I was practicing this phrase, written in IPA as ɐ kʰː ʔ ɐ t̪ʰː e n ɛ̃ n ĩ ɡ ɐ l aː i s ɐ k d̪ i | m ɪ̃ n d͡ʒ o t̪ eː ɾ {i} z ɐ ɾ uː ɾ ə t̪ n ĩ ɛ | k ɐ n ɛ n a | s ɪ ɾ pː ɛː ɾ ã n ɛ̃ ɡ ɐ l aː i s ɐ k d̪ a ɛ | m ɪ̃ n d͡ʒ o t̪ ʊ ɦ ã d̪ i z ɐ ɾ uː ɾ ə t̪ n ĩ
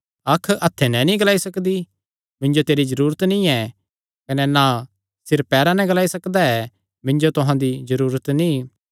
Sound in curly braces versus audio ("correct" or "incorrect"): correct